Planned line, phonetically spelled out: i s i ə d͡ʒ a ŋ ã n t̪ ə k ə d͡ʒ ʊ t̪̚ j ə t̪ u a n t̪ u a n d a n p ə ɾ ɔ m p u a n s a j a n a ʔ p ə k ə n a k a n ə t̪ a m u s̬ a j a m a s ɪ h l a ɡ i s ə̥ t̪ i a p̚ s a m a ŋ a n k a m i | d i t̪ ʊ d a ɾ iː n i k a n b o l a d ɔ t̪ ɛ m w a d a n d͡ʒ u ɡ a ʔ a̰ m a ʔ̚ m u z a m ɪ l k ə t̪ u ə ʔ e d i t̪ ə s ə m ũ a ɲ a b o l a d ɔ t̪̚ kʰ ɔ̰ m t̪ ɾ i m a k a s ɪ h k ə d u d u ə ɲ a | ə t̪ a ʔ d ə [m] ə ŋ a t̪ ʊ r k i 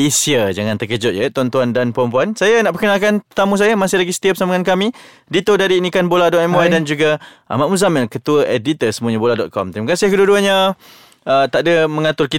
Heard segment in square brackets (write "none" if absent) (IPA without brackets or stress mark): m